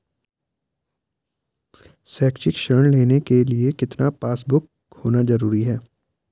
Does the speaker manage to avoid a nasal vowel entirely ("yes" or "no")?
yes